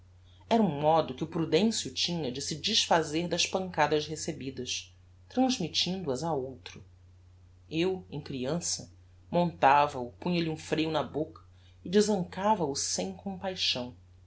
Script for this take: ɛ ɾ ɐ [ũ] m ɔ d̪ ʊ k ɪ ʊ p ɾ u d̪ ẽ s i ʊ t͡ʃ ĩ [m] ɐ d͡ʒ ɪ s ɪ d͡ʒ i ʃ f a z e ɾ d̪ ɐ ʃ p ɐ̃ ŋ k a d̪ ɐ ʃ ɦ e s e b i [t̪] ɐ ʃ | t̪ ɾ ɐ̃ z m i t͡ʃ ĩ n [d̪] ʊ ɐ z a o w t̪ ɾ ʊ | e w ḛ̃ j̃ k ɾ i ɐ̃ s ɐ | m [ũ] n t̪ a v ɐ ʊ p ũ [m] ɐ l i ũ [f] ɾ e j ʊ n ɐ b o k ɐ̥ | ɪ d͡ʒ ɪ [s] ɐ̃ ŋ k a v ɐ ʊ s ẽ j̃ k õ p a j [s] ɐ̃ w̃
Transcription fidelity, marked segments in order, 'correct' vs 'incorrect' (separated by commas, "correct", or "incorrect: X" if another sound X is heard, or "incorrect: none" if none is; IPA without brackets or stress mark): correct, incorrect: ɲ, incorrect: d̪, correct, incorrect: õ, incorrect: ɲ, correct, incorrect: z, incorrect: ʃ